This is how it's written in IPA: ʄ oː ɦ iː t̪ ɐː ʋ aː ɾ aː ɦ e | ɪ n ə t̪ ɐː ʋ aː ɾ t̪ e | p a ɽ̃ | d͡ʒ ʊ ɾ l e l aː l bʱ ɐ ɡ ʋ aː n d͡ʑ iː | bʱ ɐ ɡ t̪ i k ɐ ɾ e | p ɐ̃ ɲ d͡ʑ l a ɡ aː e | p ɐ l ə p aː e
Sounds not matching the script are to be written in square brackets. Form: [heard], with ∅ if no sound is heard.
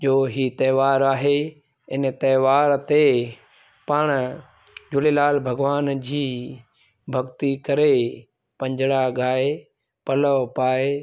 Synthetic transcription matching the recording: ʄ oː ɦ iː t̪ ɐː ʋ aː ɾ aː ɦ e | ɪ n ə t̪ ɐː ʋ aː ɾ t̪ e | p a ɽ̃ | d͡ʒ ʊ [∅] l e l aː l bʱ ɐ ɡ ʋ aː n d͡ʑ iː | bʱ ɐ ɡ t̪ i k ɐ ɾ e | p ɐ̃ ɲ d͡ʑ [ɽ] a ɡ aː e | p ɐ l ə p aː e